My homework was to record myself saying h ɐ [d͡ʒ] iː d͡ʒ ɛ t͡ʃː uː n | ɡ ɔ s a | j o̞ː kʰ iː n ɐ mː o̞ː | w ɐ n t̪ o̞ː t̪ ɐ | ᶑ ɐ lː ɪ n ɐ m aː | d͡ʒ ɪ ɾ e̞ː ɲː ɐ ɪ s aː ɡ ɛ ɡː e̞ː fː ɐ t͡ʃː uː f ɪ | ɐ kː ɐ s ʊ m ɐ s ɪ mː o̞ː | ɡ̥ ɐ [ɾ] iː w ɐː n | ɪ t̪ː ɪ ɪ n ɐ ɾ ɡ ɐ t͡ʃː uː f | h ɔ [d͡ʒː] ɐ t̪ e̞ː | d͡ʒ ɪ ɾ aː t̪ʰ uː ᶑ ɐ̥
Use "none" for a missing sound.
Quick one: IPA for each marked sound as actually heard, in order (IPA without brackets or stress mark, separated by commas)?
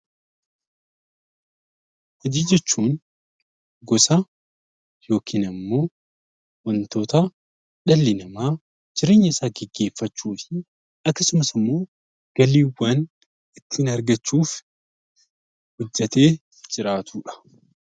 d͡ʒ, l, d͡ʒː